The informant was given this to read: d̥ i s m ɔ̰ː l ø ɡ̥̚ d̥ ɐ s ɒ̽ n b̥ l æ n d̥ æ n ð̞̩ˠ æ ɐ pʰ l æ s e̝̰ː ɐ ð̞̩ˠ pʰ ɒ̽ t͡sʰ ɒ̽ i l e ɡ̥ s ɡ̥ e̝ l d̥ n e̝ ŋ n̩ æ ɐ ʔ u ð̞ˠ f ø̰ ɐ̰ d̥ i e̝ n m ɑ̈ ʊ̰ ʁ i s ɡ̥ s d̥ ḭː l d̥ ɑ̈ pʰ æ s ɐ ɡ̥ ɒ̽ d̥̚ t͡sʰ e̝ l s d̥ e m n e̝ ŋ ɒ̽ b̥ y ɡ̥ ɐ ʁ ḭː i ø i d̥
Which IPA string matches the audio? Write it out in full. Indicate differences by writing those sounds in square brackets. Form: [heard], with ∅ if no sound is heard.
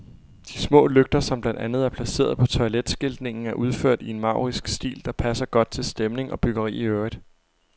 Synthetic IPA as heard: d̥ i s m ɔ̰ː l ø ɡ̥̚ d̥ ɐ s ɒ̽ [m] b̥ l æ n d̥ æ n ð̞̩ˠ æ ɐ pʰ l æ s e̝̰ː ɐ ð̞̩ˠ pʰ ɒ̽ t͡sʰ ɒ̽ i l e [d̥] s ɡ̥ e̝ l d̥ n e̝ ŋ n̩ æ ɐ ʔ u ð̞ˠ f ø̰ ɐ̰ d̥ i e̝ n m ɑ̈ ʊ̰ ʁ i s ɡ̥ s d̥ ḭː l d̥ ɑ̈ pʰ æ s ɐ ɡ̥ ɒ̽ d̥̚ t͡sʰ e̝ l s d̥ e m n e̝ ŋ ɒ̽ b̥ y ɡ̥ ɐ ʁ ḭː i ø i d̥